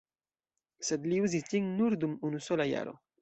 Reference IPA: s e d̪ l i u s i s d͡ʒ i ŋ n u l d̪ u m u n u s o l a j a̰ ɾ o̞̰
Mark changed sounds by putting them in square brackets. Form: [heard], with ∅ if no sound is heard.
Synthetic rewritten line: s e d̪ l i u [z] i s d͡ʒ i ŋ n u [ɾ] d̪ u m u n u s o l a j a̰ ɾ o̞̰